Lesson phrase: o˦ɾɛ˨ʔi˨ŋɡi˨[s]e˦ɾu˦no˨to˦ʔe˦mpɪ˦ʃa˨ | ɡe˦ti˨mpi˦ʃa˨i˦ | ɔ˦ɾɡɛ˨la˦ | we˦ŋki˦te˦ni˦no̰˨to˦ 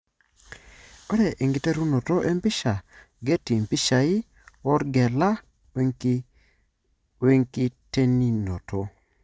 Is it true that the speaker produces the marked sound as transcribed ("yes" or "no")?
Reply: no